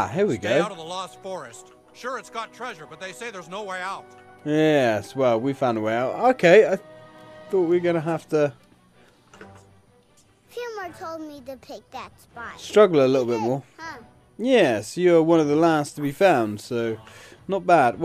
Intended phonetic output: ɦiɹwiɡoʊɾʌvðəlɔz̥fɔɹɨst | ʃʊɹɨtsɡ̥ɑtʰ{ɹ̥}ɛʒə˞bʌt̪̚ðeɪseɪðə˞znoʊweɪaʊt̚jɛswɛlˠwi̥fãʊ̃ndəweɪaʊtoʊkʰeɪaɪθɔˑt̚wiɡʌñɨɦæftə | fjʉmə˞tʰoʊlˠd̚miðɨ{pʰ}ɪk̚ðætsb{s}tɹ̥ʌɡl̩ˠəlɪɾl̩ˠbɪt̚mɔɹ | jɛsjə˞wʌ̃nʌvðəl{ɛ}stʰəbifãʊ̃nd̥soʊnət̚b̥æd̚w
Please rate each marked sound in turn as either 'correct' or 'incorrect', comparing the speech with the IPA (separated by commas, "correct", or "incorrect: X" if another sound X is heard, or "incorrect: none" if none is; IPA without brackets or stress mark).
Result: correct, correct, correct, incorrect: æ